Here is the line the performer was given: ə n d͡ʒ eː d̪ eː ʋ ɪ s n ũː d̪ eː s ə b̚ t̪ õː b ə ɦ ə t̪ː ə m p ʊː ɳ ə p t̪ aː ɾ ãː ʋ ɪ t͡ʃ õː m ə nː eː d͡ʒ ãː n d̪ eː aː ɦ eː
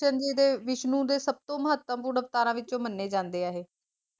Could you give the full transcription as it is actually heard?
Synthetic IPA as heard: ə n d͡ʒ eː d̪ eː ʋ ɪ ʃ n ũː d̪ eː s ə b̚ t̪ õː m ə ɦ ə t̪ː ə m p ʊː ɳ ə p t̪ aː ɾ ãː ʋ ɪ t͡ʃ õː m ə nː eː d͡ʒ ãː n d̪ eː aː ɦ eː